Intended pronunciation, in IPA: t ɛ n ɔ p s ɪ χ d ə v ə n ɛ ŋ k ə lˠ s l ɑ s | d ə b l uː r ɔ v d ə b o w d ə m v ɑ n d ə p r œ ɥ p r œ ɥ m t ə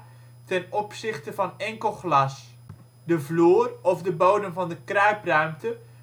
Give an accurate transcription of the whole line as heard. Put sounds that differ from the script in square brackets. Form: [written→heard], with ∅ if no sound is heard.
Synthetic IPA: t ɛ n ɔ p s ɪ χ [d→t] ə v [ə→ɑ] n ɛ ŋ k ə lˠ [s→χ] l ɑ s | d ə [b→v] l uː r ɔ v d ə b o w d ə m v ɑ n d ə [p→k] r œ ɥ p r œ ɥ m t ə